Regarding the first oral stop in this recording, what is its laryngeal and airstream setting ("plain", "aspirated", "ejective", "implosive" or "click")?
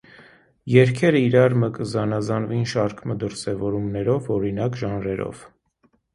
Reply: aspirated